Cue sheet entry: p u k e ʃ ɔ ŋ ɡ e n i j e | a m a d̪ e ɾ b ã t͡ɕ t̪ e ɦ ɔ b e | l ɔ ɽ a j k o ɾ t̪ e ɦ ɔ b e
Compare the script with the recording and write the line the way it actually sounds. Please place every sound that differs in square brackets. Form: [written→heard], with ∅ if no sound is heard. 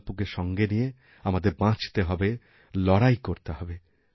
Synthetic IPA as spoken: p u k e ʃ ɔ ŋ ɡ e n i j e | a m a d̪ e ɾ b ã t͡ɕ t̪ e ɦ ɔ b e | l ɔ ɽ a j k o ɾ t̪ e ɦ ɔ b e